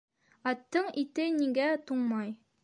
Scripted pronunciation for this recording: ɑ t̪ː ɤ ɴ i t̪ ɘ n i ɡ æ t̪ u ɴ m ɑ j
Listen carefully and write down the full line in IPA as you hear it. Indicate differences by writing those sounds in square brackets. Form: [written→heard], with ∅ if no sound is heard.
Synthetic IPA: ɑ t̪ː ɤ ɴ i t̪ ɘ n i ɡ æ t̪ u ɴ m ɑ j